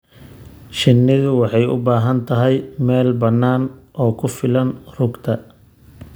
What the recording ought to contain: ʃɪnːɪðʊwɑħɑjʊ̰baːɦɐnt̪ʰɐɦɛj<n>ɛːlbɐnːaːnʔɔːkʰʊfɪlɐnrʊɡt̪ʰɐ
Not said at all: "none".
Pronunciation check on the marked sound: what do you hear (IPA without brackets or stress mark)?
m